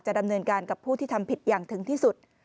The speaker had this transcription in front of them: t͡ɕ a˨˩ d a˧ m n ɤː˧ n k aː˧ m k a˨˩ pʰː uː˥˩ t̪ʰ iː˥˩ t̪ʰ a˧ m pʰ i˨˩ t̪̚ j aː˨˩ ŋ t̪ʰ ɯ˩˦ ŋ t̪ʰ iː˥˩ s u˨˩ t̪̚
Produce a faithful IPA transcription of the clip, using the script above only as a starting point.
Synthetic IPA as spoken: t͡ɕ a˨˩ d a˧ m n ɤː˧ n k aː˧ n k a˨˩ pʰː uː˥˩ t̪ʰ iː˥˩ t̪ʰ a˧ m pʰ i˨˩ t̪̚ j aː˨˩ ŋ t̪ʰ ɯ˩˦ ŋ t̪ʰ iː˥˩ s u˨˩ t̪̚